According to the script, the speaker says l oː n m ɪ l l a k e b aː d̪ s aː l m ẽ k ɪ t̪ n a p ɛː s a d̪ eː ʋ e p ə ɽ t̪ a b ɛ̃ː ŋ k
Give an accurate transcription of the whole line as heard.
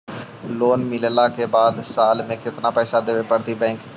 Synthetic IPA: l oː n m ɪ l l a k e b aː d̪ s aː l m ẽ k ɪ t̪ n a p ɛː s a d̪ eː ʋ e p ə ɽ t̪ i b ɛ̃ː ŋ k